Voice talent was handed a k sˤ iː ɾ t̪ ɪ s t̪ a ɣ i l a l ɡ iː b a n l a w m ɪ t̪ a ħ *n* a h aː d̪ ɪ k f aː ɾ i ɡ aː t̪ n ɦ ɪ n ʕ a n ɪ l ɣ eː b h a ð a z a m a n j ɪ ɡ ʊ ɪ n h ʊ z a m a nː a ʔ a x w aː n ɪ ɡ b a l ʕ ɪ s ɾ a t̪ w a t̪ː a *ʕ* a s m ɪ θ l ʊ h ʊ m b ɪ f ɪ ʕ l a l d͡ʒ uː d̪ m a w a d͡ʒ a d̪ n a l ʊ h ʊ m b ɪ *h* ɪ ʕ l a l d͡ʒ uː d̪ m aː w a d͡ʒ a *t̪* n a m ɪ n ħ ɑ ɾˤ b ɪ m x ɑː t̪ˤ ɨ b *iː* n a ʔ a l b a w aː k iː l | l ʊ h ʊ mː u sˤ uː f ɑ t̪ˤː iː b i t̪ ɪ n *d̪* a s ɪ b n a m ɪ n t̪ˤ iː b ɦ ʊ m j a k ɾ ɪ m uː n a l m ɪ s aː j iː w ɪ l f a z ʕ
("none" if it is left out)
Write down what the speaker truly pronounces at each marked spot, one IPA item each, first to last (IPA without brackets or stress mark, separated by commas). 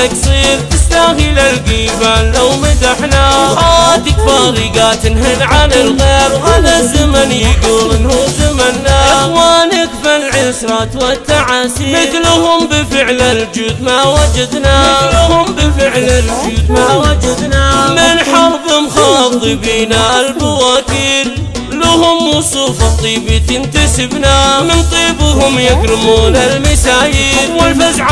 n, ʕ, f, d̪, iː, t̪